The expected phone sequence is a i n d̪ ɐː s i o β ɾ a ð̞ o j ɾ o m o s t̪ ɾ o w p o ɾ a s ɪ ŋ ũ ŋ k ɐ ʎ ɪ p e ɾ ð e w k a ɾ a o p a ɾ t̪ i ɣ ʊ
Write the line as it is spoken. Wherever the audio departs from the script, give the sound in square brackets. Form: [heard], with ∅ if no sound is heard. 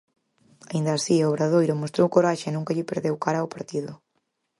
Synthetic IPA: a i n d̪ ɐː s i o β ɾ a ð̞ o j ɾ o m o s t̪ ɾ o w [k] o ɾ a [ʃ] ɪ [n] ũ ŋ k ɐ ʎ ɪ p e ɾ ð e w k a ɾ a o p a ɾ t̪ i [ð] ʊ